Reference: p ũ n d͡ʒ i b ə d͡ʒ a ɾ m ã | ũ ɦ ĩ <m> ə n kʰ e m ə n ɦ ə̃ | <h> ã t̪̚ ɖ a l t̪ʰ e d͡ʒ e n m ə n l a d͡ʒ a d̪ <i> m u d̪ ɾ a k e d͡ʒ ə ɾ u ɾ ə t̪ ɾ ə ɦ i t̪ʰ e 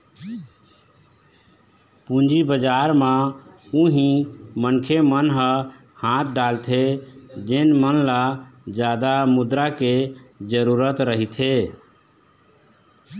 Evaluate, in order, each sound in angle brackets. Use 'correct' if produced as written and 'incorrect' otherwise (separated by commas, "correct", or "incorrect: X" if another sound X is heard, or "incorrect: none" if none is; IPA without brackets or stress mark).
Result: correct, correct, incorrect: a